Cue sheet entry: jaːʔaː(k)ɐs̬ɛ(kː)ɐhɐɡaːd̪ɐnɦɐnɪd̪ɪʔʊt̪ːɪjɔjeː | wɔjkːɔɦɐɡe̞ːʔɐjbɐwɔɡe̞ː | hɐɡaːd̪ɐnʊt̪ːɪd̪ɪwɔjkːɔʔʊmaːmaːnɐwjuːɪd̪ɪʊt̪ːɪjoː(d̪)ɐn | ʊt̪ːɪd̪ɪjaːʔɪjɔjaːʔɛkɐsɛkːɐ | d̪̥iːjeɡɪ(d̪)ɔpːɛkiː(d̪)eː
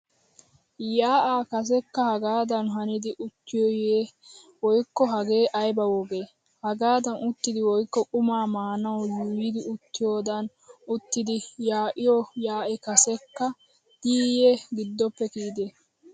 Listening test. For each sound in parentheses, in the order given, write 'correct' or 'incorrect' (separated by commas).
correct, correct, correct, incorrect, correct